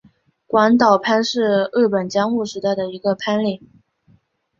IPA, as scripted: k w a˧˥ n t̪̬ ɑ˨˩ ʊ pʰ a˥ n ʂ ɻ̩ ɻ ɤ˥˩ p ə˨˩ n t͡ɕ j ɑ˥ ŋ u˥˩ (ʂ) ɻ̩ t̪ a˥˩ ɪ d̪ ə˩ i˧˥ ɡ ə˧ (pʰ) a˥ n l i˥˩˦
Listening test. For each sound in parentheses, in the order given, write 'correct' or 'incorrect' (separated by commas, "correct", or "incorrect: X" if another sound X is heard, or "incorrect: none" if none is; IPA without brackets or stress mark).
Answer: correct, correct